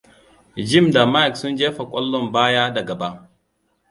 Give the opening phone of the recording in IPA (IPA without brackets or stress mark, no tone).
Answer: d͡ʒ